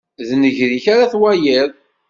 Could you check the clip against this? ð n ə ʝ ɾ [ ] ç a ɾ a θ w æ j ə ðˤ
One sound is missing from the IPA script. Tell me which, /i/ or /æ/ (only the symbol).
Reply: i